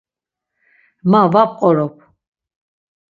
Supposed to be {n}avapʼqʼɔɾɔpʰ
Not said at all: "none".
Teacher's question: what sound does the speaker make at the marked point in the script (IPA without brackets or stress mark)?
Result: m